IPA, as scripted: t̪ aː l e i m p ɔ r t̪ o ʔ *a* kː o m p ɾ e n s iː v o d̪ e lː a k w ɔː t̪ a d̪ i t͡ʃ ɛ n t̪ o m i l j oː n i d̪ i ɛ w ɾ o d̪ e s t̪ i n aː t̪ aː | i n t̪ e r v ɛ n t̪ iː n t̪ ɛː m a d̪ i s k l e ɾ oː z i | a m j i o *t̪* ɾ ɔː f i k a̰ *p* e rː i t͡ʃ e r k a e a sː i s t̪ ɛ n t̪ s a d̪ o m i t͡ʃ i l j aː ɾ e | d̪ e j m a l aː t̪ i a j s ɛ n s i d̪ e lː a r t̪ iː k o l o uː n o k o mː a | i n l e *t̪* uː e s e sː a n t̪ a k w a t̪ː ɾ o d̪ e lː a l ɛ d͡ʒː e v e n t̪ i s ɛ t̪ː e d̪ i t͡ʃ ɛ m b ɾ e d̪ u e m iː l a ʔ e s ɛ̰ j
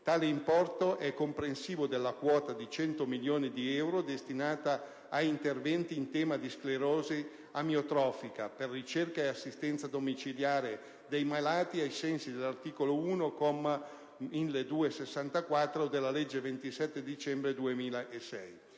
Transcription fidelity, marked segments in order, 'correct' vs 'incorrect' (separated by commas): incorrect, correct, correct, incorrect